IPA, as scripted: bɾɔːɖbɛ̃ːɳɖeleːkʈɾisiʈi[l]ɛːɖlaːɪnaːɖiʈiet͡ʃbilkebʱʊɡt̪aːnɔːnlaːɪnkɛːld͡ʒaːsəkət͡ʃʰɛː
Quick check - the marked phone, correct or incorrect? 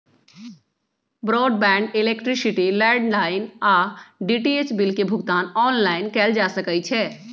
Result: correct